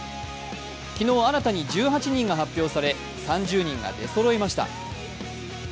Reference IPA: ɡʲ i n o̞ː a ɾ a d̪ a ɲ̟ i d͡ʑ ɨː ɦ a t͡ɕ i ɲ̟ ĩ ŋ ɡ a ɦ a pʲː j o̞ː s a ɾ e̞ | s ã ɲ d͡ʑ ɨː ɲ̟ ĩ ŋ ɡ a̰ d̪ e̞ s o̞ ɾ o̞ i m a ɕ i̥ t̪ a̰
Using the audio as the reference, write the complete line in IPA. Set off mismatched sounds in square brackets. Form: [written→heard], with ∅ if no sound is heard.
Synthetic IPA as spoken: [ɡʲ→kʲ] i n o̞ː a ɾ a [d̪→t̪] a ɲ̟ i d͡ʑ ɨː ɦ a t͡ɕ i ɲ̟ ĩ ŋ ɡ a ɦ a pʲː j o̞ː s a ɾ e̞ | s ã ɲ d͡ʑ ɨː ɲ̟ ĩ ŋ ɡ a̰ d̪ e̞ s o̞ ɾ o̞ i m a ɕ i̥ t̪ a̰